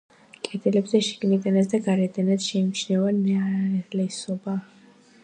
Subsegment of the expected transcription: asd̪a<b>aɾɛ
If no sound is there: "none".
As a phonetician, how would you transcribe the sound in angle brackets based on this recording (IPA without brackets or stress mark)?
ɡ